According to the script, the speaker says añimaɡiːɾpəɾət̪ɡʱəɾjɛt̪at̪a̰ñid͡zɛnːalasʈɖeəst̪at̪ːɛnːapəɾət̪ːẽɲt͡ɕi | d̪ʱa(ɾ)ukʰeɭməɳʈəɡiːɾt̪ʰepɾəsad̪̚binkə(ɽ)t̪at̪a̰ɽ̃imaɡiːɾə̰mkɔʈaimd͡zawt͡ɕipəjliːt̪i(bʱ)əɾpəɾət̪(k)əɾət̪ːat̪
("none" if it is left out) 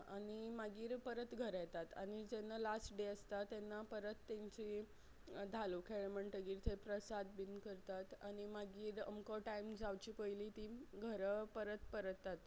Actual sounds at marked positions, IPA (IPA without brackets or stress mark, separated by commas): l, ɾ, ɡʱ, p